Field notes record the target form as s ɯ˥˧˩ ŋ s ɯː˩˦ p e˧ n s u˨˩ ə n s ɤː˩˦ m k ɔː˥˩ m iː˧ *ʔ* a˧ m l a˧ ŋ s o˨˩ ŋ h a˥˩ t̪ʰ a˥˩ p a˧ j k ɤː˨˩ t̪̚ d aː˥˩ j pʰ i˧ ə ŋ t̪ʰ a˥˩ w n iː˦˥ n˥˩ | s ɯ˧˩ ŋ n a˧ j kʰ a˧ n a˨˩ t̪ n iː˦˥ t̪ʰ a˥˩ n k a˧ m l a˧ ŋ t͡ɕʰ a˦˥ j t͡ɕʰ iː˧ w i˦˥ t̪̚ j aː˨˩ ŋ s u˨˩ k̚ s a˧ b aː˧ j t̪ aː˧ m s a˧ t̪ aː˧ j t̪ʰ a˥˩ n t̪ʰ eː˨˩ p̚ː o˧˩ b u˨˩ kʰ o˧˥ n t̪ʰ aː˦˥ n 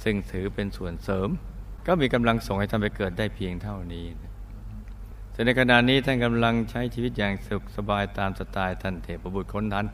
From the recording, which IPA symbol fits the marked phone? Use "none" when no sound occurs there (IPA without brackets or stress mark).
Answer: k